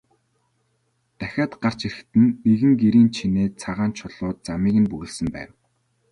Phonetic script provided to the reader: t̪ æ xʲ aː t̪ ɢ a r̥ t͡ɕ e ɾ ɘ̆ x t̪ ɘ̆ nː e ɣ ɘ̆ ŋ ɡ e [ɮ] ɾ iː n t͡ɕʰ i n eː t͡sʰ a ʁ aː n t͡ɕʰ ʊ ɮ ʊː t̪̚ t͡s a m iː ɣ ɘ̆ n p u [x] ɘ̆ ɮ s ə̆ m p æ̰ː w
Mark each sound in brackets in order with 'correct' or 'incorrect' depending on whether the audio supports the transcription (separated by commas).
incorrect, incorrect